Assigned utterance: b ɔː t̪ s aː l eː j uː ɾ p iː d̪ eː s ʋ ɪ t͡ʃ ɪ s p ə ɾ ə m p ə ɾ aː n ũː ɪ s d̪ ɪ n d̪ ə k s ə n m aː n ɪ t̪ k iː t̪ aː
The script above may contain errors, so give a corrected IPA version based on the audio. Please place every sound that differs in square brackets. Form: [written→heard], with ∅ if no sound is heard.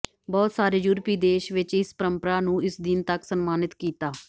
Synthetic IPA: b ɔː t̪ s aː [l→ɾ] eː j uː ɾ p iː d̪ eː [s→ʃ] ʋ ɪ t͡ʃ ɪ s p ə ɾ ə m p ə ɾ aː n ũː ɪ s d̪ ɪ n [d̪→t̪] ə k s ə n m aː n ɪ t̪ k iː t̪ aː